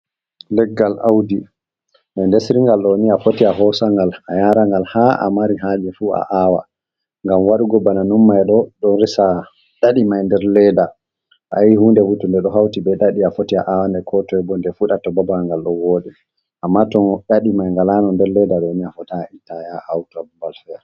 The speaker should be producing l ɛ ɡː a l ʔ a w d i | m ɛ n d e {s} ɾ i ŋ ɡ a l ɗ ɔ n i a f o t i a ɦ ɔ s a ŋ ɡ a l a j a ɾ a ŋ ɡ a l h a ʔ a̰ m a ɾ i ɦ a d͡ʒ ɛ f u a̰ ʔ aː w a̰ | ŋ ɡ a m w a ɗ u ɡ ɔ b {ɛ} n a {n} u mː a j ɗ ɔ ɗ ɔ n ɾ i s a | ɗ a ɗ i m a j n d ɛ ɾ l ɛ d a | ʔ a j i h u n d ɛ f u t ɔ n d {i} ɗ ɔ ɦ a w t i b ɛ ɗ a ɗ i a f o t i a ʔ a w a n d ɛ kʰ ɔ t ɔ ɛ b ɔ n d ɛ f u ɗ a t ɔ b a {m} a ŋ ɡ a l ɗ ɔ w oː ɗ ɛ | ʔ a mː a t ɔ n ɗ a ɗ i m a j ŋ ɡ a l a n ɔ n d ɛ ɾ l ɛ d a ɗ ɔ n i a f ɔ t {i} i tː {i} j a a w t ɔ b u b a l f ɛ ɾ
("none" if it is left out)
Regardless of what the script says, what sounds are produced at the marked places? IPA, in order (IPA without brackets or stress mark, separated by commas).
s, a, n, ɛ, b, a, a